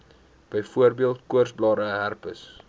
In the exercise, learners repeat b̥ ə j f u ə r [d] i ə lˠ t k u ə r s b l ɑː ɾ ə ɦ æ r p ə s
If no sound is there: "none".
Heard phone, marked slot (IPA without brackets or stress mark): b